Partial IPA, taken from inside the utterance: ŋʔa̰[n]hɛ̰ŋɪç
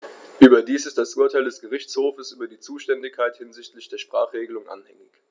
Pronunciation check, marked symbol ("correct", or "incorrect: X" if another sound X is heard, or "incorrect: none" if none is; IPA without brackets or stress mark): correct